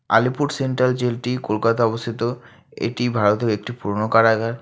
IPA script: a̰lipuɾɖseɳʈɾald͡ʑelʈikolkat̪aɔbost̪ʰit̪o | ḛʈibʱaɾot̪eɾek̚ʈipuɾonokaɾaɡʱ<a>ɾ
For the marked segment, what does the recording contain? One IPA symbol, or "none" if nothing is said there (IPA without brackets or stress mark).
a